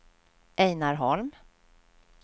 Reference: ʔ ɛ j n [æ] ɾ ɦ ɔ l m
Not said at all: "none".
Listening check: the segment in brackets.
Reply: a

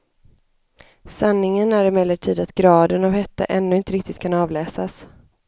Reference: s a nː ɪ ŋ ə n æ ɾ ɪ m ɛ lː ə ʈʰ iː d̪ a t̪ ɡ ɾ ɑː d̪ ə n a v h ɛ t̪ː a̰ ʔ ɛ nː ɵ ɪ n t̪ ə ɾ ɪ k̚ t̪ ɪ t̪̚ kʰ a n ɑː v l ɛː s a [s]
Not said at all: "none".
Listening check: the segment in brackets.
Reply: s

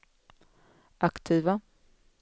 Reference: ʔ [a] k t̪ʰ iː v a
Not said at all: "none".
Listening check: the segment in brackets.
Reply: a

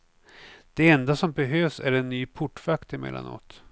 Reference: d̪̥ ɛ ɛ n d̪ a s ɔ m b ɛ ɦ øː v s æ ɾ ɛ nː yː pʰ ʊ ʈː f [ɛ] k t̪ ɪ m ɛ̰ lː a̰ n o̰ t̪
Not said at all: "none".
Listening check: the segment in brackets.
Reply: a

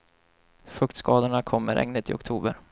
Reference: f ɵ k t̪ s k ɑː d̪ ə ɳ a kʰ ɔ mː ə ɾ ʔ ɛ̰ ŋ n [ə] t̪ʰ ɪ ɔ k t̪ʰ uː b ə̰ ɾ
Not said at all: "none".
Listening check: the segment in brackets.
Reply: ə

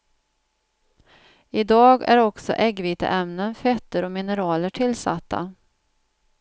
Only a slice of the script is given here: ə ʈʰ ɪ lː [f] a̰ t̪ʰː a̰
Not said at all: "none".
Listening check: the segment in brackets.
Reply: s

